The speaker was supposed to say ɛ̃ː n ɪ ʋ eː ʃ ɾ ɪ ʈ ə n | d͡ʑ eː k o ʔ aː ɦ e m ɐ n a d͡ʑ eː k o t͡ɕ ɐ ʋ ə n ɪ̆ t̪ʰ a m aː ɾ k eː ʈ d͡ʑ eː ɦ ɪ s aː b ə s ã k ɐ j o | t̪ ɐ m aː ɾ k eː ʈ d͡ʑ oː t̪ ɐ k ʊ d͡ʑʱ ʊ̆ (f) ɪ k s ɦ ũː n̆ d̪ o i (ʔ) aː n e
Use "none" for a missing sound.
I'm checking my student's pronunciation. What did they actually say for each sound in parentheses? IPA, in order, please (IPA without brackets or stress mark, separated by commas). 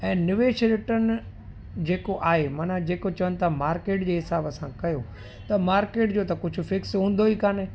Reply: f, k